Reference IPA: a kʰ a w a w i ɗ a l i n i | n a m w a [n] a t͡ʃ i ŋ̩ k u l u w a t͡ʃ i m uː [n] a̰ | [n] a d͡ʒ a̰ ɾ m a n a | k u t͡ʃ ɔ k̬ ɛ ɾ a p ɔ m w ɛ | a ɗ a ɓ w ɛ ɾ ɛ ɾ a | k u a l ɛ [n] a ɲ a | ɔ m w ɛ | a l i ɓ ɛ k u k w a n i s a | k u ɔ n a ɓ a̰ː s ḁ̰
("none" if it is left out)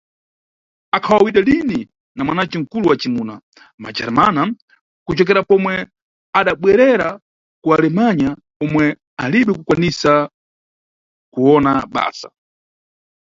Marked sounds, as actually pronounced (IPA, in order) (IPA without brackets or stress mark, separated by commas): n, n, m, m